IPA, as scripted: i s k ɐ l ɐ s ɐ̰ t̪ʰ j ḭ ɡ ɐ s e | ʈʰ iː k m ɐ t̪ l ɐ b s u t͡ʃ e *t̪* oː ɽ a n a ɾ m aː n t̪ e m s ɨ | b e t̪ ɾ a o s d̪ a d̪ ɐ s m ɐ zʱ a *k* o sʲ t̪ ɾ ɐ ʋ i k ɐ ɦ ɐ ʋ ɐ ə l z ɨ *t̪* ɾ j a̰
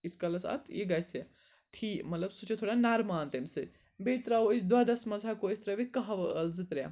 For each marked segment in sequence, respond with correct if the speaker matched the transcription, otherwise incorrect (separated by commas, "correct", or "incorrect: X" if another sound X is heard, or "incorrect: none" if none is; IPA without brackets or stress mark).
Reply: incorrect: t̪ʰ, correct, correct